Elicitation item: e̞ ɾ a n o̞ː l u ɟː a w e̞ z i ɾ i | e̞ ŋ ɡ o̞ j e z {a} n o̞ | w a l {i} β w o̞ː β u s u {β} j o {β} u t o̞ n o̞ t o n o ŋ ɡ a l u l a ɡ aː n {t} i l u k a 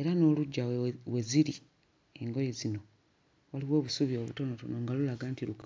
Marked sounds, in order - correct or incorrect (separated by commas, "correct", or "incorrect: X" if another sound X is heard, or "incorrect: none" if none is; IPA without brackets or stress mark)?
incorrect: i, correct, correct, correct, correct